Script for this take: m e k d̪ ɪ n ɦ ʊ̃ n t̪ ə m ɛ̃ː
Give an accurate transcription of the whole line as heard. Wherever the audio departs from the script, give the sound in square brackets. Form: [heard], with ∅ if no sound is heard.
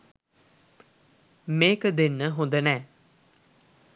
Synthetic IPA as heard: m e k d̪ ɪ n ɦ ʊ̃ n [d̪] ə [n] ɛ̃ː